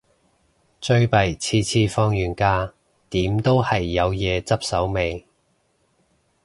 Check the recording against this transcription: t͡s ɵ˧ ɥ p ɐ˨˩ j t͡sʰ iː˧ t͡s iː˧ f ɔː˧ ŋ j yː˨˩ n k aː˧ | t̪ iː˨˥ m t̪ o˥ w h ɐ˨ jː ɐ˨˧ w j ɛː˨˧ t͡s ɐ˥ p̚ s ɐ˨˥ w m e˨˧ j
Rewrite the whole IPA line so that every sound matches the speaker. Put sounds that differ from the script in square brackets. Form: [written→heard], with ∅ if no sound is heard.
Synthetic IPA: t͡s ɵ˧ ɥ p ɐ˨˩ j t͡sʰ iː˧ [t͡s→t͡sʰ] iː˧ f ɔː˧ ŋ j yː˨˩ n k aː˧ | t̪ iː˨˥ m t̪ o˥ w h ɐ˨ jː ɐ˨˧ w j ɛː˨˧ t͡s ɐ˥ p̚ s ɐ˨˥ w m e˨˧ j